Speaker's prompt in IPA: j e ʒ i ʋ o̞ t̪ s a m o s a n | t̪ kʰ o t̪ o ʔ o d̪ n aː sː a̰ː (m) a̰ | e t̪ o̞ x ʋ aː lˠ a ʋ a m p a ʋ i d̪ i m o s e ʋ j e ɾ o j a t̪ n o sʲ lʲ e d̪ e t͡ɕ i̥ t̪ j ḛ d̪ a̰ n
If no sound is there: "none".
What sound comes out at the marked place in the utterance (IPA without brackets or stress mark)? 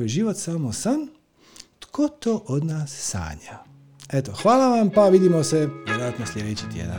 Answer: ɲ